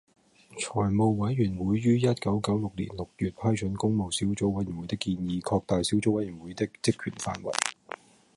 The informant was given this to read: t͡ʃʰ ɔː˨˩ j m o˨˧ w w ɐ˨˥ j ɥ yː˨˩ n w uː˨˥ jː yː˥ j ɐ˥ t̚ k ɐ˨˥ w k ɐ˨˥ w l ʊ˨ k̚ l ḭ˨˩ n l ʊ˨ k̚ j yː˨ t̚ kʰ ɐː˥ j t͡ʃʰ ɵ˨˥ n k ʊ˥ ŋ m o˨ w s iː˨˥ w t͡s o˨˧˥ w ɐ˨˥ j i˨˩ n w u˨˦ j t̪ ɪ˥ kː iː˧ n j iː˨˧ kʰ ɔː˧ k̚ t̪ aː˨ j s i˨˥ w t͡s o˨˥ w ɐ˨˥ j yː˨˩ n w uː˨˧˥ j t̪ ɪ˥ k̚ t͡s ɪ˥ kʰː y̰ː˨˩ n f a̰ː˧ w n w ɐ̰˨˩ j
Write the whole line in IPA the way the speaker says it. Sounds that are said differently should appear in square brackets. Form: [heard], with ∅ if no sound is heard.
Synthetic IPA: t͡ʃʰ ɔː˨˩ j m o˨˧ w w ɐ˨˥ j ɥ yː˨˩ n w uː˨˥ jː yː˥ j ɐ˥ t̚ k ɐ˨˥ w k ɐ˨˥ w l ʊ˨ k̚ l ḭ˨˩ n l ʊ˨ k̚ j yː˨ t̚ [pʰ] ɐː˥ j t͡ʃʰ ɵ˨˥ n k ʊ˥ ŋ m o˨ w s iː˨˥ w t͡s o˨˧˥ w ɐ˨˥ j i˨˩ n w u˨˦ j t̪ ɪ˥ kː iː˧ n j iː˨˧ kʰ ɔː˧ k̚ t̪ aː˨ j s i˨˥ w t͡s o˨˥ w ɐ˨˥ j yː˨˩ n w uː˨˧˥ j t̪ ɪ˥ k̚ t͡s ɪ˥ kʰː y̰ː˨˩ n f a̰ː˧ [∅] n w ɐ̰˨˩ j

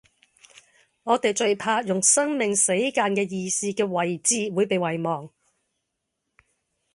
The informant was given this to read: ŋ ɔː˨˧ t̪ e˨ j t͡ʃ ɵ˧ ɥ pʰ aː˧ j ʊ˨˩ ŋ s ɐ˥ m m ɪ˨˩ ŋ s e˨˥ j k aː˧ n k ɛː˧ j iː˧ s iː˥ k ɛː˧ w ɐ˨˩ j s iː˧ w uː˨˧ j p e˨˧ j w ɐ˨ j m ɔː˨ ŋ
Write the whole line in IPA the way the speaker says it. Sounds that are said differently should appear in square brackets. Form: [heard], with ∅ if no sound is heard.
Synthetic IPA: ŋ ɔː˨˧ t̪ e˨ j t͡ʃ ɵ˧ ɥ pʰ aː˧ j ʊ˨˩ ŋ s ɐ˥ [ŋ] m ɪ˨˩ ŋ s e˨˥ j k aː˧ n k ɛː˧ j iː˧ s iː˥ k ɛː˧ w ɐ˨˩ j [t͡s] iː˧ w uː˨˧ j p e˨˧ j w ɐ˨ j m ɔː˨ ŋ

